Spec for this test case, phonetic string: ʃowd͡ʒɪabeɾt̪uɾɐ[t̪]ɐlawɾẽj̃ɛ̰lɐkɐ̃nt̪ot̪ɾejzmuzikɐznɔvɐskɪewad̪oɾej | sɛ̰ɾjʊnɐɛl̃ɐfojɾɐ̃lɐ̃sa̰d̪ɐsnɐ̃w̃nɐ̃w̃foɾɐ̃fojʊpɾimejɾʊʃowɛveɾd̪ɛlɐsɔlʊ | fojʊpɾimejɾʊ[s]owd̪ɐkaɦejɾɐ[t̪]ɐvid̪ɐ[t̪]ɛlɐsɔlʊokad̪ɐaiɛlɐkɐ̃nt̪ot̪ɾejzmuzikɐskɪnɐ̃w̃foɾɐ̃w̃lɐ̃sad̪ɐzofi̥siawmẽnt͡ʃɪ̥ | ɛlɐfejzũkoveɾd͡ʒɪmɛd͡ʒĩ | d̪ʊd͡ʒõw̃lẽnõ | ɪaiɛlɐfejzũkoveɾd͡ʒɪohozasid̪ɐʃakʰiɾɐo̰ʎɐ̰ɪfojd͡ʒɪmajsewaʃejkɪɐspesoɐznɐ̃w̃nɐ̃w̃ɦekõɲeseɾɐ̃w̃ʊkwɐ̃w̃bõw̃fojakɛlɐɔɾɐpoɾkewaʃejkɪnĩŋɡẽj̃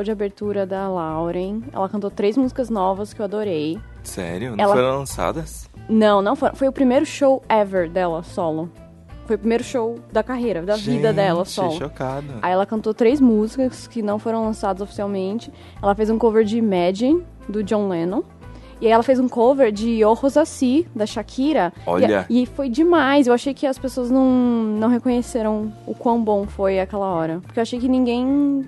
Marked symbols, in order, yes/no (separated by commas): no, no, no, no